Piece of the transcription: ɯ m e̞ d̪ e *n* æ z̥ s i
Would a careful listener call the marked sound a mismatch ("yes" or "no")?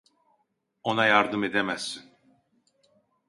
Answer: yes